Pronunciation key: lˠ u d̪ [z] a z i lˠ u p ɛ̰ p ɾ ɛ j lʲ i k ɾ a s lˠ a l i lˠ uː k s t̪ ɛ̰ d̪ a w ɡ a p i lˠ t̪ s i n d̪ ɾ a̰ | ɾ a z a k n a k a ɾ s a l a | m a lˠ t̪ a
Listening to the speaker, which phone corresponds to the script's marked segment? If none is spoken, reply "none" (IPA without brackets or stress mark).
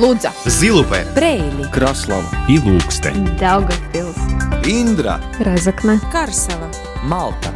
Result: z